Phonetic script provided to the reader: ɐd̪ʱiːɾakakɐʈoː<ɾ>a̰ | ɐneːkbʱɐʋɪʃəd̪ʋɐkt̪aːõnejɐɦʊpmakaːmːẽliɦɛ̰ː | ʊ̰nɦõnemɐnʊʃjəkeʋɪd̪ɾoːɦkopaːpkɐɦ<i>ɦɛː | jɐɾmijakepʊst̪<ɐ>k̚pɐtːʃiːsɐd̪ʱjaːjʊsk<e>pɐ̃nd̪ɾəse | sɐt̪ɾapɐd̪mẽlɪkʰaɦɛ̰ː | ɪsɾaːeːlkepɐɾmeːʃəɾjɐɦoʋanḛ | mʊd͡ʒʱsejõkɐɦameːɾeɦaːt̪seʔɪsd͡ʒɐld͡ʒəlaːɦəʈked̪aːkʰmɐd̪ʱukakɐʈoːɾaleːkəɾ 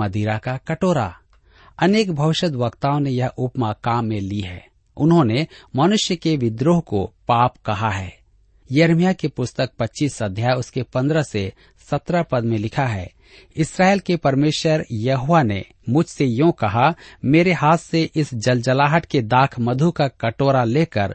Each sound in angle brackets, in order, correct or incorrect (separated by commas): correct, incorrect, incorrect, correct